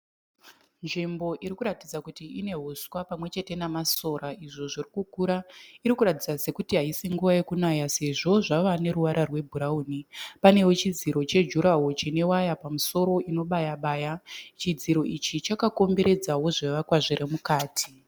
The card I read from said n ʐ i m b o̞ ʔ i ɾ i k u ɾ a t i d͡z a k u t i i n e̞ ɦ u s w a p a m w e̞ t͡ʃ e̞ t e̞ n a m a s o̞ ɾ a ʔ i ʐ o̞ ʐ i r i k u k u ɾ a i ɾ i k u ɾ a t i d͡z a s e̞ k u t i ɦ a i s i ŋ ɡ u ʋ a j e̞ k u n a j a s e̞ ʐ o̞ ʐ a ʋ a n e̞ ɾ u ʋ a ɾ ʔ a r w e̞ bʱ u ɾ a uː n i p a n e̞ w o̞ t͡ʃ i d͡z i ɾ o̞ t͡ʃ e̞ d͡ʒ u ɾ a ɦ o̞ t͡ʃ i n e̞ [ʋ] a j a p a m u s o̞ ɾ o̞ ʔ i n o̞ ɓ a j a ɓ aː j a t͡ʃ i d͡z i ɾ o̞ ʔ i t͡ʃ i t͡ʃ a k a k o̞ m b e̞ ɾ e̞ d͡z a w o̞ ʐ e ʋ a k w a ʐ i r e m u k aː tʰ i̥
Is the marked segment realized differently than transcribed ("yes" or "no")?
yes